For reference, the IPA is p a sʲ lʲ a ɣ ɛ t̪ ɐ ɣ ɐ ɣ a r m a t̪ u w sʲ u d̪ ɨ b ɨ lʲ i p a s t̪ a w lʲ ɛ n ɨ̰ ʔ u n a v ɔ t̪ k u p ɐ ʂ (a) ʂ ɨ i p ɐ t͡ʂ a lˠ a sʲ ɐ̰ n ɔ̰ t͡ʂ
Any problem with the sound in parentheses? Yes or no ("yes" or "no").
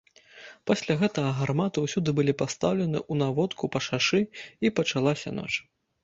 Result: no